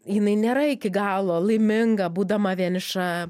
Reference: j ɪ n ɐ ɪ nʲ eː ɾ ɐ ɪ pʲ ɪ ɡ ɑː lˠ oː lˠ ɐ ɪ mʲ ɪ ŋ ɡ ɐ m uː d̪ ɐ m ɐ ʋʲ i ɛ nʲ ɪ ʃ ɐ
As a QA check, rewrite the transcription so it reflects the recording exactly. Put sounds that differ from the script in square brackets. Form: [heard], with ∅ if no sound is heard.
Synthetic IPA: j ɪ n ɐ ɪ nʲ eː ɾ ɐ ɪ [kʲ] ɪ ɡ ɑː lˠ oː lˠ ɐ ɪ mʲ ɪ ŋ ɡ ɐ [b] uː d̪ ɐ m ɐ ʋʲ i ɛ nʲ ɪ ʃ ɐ

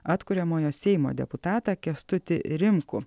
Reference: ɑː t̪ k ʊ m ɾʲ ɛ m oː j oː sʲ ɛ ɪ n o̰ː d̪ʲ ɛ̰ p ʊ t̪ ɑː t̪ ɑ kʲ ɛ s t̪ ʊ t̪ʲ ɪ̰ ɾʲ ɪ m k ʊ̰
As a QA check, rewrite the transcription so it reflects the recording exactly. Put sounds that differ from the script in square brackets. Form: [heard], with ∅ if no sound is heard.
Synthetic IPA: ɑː t̪ k ʊ [∅] ɾʲ ɛ m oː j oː sʲ ɛ ɪ [m] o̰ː d̪ʲ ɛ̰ p ʊ t̪ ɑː t̪ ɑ kʲ ɛ s t̪ ʊ t̪ʲ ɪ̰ ɾʲ ɪ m k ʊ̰

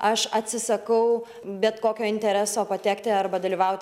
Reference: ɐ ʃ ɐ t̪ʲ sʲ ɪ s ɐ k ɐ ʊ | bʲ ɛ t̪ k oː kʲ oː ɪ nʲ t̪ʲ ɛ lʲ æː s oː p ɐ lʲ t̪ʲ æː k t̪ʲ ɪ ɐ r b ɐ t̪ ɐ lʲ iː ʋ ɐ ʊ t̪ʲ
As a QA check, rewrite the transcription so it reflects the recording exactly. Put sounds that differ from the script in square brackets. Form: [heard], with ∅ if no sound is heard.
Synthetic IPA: ɐ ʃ ɐ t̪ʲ sʲ ɪ s ɐ k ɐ ʊ | bʲ ɛ t̪ k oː kʲ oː ɪ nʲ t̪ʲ ɛ [ɾʲ] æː s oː p ɐ [∅] t̪ʲ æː k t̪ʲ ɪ ɐ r b ɐ [d̪] ɐ lʲ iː ʋ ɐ ʊ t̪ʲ

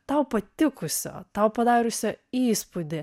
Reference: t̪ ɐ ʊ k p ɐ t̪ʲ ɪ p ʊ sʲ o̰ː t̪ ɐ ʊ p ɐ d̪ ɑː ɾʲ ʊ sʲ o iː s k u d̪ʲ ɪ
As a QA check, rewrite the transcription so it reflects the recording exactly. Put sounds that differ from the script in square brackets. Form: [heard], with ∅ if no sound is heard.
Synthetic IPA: t̪ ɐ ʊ [∅] p ɐ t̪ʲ ɪ [k] ʊ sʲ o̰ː t̪ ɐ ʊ p ɐ d̪ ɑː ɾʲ ʊ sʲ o iː s [p] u d̪ʲ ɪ

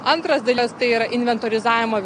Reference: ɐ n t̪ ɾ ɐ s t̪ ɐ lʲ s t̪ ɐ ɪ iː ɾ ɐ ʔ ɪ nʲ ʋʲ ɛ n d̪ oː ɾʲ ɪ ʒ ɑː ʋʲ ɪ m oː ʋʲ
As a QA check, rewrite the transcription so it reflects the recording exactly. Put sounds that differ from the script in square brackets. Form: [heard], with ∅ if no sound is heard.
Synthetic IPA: ɐ n t̪ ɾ ɐ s [d̪] ɐ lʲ s t̪ ɐ ɪ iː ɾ ɐ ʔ ɪ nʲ ʋʲ ɛ n [t̪] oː ɾʲ ɪ [z] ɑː ʋʲ ɪ m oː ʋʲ

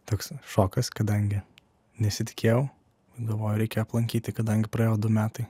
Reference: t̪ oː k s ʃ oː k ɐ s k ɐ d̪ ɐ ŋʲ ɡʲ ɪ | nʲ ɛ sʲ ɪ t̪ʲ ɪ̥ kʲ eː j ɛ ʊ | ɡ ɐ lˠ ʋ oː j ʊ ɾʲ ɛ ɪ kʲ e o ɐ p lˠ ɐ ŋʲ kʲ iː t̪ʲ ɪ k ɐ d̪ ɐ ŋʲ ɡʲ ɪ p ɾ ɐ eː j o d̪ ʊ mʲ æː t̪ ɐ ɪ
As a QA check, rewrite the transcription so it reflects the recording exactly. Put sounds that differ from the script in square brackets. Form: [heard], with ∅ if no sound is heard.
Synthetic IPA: t̪ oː k s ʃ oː k ɐ s k ɐ d̪ ɐ ŋʲ ɡʲ ɪ | nʲ ɛ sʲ ɪ t̪ʲ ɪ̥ kʲ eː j ɛ ʊ | ɡ ɐ lˠ ʋ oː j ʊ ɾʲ ɛ ɪ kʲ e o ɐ p lˠ ɐ ŋʲ kʲ iː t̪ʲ ɪ k ɐ d̪ ɐ ŋʲ ɡʲ ɪ p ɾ ɐ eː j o d̪ ʊ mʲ æː t̪ ɐ ɪ

